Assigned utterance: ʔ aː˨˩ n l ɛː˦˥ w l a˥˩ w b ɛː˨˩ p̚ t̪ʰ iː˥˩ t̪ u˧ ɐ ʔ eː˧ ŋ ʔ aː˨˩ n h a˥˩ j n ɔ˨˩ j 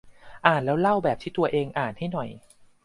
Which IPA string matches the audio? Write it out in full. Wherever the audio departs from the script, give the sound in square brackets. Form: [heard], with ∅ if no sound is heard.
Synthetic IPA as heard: ʔ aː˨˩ n l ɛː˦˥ w l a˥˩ w b ɛː˨˩ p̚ t̪ʰ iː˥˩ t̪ u˧ ɐ ʔ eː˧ ŋ ʔ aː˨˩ n h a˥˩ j n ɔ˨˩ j